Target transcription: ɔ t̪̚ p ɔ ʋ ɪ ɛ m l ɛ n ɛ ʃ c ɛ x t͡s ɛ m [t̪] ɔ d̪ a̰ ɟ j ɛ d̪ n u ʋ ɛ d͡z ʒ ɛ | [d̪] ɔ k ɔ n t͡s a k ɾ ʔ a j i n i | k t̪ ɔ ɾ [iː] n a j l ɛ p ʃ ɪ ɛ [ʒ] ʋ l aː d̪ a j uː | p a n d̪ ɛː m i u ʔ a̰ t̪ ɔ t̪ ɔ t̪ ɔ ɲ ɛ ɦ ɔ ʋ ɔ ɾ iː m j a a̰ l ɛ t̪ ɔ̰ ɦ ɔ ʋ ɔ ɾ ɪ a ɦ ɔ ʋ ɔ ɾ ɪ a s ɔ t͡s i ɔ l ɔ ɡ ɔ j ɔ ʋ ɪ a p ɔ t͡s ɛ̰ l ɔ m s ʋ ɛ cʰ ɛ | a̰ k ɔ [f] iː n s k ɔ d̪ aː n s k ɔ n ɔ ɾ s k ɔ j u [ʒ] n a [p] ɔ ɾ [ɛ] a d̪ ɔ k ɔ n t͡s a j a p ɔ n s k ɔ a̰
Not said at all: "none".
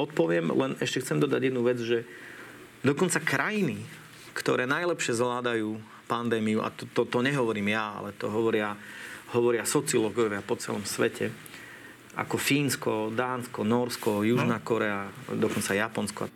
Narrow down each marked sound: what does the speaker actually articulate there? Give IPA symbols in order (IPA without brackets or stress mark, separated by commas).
d̪, d̪, ɛː, z, f, ʒ, k, ɛ